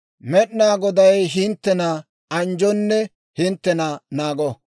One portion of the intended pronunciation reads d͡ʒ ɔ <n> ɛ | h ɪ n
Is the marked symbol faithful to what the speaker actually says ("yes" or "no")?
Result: no